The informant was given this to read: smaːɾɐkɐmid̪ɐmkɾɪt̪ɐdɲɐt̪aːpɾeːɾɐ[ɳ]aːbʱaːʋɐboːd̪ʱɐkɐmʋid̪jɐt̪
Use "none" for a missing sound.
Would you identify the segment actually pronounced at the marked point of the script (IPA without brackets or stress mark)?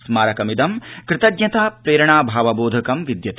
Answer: ɳ